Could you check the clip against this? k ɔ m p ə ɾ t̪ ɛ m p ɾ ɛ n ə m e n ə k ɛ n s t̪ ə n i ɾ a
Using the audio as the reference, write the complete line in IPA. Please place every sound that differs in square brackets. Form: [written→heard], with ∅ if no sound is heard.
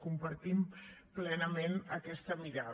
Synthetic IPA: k [ɔ→u] m p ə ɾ t̪ [ɛ→i] m p [ɾ→l] ɛ n ə m e n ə k ɛ [n→∅] s t̪ ə [n→m] i ɾ a